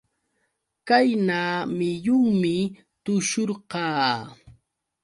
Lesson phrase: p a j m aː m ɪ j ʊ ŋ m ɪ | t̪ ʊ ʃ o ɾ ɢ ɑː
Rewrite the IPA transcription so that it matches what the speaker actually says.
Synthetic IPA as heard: k a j n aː m ɪ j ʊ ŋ m ɪ | t̪ ʊ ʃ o ɾ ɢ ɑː